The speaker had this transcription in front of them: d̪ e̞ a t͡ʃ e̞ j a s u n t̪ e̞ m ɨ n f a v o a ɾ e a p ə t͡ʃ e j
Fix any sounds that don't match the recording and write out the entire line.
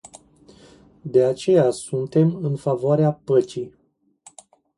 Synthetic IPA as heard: d̪ e̞ a t͡ʃ e̞ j a s u n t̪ e̞ m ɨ n f a v o a ɾ e a p ə t͡ʃ i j